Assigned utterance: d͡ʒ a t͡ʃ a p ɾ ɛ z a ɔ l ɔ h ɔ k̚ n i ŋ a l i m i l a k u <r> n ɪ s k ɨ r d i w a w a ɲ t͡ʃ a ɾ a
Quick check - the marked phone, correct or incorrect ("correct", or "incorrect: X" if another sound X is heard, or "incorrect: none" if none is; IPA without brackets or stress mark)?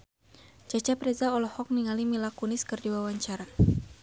incorrect: none